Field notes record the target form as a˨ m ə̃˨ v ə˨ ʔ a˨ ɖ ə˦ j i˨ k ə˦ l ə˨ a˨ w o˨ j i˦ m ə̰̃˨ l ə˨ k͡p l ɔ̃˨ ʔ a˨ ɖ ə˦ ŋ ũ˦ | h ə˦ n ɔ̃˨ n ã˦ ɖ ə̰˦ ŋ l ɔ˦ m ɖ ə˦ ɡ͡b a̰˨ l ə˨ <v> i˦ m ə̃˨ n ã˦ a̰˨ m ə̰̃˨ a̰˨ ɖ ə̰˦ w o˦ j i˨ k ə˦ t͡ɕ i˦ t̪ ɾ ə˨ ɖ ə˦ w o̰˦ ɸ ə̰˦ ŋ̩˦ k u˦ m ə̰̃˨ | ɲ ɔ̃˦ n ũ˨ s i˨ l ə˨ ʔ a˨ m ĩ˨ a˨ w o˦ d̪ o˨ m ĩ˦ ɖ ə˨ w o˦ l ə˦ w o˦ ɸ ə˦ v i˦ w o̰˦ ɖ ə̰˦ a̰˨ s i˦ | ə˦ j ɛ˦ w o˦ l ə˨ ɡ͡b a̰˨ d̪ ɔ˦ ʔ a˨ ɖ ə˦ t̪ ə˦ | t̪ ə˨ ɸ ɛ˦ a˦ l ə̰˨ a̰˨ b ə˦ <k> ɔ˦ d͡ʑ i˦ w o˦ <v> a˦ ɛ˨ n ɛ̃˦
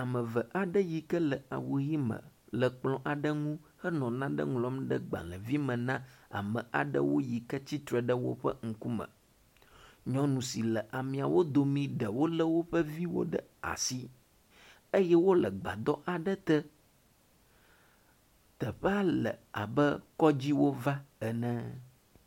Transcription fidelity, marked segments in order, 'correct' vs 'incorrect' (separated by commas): correct, correct, correct